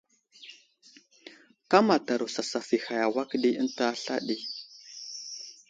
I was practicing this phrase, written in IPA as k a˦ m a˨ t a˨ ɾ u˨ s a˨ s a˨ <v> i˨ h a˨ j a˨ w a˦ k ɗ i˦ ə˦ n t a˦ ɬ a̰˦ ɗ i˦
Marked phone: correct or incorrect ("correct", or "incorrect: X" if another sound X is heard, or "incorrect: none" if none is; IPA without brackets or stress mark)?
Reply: incorrect: f